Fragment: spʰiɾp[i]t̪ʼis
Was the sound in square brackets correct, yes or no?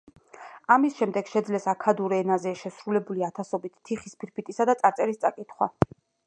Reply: yes